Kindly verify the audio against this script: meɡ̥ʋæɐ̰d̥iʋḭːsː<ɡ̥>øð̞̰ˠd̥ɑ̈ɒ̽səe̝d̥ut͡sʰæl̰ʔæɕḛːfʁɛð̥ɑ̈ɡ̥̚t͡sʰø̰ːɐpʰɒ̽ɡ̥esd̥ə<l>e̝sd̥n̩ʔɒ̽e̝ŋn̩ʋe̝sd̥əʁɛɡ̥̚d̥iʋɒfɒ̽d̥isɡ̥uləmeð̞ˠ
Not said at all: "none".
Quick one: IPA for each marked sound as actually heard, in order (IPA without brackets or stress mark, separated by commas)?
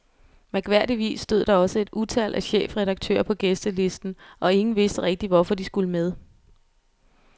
d̥, l